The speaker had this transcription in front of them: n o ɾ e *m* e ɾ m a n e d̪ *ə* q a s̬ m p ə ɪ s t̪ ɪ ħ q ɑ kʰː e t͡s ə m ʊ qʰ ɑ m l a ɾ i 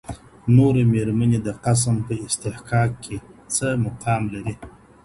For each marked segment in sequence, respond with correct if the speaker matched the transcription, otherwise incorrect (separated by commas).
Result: correct, correct